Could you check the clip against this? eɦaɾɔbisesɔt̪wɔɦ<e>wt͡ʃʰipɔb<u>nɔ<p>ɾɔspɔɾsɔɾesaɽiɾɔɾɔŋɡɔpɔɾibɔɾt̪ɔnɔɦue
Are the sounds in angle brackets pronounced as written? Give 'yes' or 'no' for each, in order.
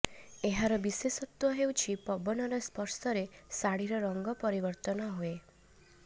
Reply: yes, no, no

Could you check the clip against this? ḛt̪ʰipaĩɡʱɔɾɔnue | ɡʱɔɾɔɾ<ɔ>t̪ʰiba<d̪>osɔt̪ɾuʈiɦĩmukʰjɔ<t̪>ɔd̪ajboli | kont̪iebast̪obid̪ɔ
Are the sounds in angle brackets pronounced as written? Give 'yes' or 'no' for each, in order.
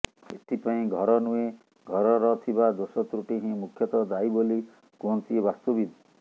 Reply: yes, yes, yes

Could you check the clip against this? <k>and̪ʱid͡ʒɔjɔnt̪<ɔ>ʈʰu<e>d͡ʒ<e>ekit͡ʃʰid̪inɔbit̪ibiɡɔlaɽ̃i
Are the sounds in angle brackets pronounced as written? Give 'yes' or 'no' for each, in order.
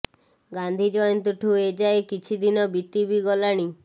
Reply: no, no, yes, no

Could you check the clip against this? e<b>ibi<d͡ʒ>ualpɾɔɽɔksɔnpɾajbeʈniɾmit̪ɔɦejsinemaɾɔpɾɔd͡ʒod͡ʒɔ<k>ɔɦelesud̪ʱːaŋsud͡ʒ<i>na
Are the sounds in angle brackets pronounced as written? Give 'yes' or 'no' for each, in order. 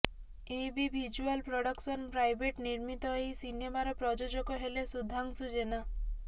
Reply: yes, yes, yes, no

